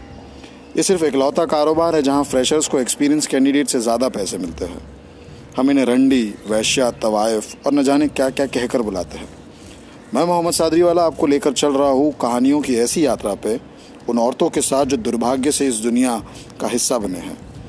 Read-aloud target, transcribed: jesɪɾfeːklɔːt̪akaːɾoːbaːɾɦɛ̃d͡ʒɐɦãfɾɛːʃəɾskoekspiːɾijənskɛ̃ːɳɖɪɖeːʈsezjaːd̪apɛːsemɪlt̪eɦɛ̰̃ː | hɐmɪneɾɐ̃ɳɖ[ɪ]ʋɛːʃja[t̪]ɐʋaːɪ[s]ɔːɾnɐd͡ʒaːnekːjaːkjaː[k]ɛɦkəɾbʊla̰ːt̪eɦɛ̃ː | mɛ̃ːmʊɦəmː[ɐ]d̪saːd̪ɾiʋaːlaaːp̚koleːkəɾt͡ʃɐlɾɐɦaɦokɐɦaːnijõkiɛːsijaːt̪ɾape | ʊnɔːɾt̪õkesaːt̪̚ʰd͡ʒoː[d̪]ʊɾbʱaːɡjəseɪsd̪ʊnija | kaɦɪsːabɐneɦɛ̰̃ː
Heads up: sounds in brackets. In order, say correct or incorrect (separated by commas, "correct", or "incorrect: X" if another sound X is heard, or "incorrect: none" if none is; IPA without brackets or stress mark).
incorrect: i, correct, incorrect: f, correct, incorrect: ə, correct